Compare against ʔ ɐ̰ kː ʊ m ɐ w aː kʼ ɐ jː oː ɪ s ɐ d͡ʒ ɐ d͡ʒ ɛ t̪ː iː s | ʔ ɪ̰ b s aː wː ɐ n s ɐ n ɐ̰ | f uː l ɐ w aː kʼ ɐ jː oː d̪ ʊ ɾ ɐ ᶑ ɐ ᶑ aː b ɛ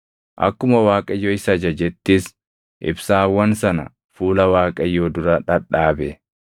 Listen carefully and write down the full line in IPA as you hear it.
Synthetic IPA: ʔ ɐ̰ kː ʊ m ɐ w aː kʼ ɐ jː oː ɪ s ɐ d͡ʒ ɐ d͡ʒ ɛ t̪ː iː s | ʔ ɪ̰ b s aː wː ɐ n s ɐ n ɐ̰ | f uː l ɐ w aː kʼ ɐ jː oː d̪ ʊ ɾ ɐ ᶑ ɐ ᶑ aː b ɛ